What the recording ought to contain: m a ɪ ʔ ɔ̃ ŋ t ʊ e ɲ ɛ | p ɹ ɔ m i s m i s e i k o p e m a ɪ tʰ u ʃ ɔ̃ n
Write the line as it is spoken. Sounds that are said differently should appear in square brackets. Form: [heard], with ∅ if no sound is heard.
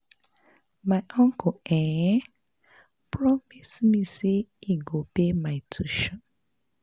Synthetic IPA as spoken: m a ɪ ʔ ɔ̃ ŋ [k] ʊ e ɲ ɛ | p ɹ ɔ m i s m i s e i [ɡ] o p e m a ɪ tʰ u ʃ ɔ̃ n

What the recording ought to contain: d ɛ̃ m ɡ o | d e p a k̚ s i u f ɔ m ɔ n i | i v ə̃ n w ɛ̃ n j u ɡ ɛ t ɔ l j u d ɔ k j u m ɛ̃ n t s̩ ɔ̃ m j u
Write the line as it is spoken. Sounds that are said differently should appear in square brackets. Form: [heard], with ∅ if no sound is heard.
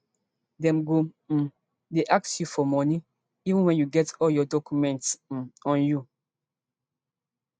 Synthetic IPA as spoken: d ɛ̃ m ɡ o | d e [ʔ] a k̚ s [j] u f ɔ m ɔ n i | i v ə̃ n w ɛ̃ n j u ɡ ɛ t ɔ l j [ɔ] d ɔ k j u m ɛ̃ n t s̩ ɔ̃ [n] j u

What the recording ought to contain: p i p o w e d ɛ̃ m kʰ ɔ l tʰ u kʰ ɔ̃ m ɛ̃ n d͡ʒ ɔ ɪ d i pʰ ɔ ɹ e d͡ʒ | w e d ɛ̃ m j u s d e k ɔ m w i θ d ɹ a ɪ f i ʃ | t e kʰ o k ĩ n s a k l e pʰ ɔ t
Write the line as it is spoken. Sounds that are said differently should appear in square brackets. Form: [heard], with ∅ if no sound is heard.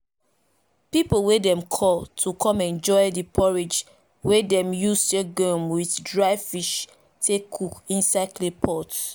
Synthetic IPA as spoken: p i p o w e d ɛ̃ m kʰ ɔ l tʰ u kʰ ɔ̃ m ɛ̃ n d͡ʒ ɔ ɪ d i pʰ ɔ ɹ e d͡ʒ | w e d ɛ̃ m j u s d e [ɡ] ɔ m w i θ d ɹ a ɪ f i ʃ | t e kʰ [u] k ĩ n s a k l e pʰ ɔ t

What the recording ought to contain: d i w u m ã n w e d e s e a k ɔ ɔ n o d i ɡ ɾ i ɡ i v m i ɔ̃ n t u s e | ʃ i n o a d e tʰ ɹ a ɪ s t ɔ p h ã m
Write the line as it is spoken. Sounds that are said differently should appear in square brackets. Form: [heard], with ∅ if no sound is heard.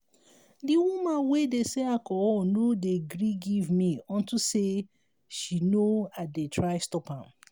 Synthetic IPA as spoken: d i w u m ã n w e d e s e a k ɔ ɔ n o d [e] ɡ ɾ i ɡ i v m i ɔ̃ n t u s e | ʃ i n o a d e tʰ ɹ a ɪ s t ɔ p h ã m

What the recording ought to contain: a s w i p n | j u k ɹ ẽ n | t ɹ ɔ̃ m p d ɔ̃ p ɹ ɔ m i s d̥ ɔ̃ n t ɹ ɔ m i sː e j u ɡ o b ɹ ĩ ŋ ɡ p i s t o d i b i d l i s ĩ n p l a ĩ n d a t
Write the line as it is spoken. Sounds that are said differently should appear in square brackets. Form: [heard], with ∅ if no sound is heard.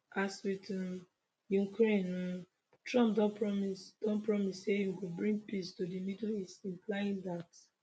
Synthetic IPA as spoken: a s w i [t] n | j u k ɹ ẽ n | t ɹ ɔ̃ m p d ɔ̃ p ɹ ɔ m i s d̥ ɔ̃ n [p] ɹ ɔ m i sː e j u ɡ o b ɹ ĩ ŋ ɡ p i s t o d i [m] i d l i s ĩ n p l a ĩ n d a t

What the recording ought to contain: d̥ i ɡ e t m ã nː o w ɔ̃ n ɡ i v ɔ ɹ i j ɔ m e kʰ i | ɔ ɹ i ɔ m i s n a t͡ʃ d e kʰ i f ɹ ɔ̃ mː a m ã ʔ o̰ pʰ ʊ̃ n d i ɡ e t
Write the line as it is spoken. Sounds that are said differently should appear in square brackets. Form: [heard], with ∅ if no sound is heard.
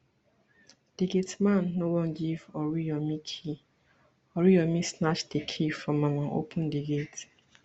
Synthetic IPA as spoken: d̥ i ɡ e t m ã nː o w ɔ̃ n ɡ i v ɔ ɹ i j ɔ m [i] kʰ i | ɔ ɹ i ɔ m i s n a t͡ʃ d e kʰ i f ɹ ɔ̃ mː a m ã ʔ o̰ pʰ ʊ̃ n d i ɡ e t

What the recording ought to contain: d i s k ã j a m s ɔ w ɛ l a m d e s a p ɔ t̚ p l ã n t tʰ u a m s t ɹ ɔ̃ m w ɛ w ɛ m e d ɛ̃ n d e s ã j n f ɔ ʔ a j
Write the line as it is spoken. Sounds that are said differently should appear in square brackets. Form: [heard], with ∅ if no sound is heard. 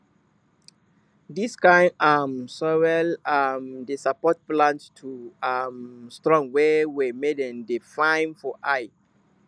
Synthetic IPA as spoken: d i s k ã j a m s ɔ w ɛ l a m d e s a p ɔ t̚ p l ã n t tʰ u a m s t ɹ ɔ̃ [ŋ] w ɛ w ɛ m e d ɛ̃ n d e [f] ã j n f ɔ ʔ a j

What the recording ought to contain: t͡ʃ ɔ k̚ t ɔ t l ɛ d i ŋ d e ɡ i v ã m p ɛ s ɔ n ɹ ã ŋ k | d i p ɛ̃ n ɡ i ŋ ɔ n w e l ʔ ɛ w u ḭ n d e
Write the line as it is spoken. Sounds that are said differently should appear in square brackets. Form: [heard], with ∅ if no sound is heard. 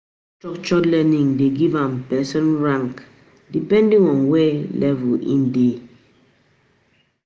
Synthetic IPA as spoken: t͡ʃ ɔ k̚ [t͡ʃ] ɔ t l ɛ [n] i ŋ d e ɡ i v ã m p ɛ s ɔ n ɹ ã ŋ k | d i p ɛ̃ n [d] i ŋ ɔ n w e l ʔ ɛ [v] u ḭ n d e

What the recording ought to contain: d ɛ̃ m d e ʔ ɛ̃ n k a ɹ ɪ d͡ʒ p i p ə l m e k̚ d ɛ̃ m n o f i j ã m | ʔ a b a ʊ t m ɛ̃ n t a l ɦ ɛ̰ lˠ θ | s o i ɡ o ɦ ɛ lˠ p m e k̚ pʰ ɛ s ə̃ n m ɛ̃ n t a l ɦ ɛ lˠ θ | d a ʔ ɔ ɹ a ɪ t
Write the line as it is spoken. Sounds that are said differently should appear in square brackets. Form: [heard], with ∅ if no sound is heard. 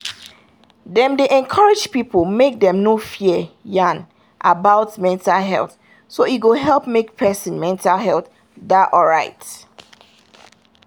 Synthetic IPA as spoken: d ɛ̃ m d e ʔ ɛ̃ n [kʰ] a ɹ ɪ d͡ʒ p i p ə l m e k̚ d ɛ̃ m n o f i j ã [n] | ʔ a b a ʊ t m ɛ̃ n t a l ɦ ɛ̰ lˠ θ | s o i ɡ o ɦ ɛ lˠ p m e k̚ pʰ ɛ s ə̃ n m ɛ̃ n t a l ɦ ɛ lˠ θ | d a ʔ ɔ ɹ a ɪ t

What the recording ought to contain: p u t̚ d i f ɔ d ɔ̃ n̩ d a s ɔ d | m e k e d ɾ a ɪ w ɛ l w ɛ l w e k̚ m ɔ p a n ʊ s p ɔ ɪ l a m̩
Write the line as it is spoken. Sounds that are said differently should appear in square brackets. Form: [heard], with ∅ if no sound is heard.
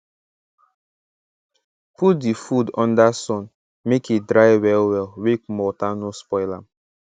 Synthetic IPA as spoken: p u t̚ d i f [u] d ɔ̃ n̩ d a s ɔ [n] | m e k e d ɾ a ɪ w ɛ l w ɛ l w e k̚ m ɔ [t] a n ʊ s p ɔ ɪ l a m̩

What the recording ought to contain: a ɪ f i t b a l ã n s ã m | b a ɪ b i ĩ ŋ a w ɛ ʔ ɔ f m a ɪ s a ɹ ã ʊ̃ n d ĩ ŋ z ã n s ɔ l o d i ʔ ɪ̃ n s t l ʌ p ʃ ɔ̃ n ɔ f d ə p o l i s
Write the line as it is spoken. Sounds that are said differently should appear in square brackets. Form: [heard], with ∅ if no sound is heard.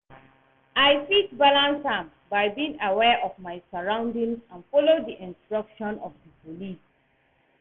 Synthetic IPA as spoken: a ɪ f i t b a l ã n s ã m | b a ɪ b i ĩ ŋ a w ɛ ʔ ɔ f m a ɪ s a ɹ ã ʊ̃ n d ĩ ŋ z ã n [f] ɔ l o d i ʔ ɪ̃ n s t [ɹ] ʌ [k] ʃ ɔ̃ n ɔ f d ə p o l i s

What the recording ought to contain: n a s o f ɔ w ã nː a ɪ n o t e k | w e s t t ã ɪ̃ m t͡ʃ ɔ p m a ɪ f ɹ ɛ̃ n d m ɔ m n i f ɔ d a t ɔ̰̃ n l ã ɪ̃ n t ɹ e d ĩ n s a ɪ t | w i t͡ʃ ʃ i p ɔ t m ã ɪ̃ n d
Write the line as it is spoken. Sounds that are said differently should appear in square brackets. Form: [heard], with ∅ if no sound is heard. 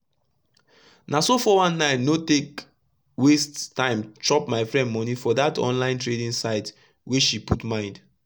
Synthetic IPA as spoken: n a s o f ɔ w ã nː a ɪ n o t e k | w e s t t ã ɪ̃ m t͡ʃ ɔ p m a ɪ f ɹ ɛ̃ n d m ɔ [∅] n i f ɔ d a t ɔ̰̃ n l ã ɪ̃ n t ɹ e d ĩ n s a ɪ t | w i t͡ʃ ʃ i p [u] t m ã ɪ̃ n d

